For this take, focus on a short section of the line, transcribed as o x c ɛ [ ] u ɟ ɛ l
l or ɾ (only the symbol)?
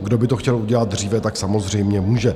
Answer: l